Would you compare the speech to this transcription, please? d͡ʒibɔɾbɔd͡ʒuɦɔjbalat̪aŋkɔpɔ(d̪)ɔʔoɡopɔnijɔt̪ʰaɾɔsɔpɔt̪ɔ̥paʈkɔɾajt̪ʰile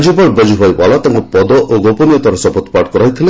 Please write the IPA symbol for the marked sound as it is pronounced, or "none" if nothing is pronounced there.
d̪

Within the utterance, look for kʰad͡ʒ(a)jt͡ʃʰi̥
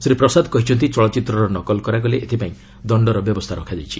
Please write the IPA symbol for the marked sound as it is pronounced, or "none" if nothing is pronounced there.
a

